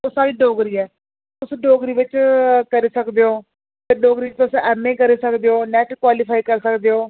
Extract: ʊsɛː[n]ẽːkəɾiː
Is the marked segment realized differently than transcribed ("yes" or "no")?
yes